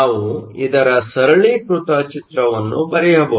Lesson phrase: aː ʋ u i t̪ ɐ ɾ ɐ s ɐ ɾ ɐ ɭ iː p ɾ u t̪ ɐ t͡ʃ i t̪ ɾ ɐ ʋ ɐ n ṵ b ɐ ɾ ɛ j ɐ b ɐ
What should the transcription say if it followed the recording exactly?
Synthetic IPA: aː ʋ u i d̪ ɐ ɾ ɐ s ɐ ɾ ɐ ɭ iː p ɾ u t̪ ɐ t͡ʃ i t̪ ɾ ɐ ʋ ɐ nː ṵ b ɐ ɾ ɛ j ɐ b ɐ